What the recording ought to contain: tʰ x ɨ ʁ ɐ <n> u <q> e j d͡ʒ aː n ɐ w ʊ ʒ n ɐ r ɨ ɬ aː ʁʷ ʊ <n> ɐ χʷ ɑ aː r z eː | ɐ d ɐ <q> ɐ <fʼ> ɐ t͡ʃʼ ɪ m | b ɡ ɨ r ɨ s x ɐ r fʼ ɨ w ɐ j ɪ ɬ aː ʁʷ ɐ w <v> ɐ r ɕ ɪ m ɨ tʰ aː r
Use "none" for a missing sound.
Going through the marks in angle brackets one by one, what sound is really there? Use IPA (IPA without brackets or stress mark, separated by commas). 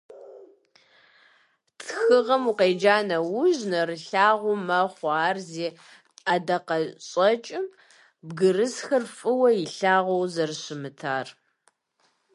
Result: m, q, m, q, ɕʼ, z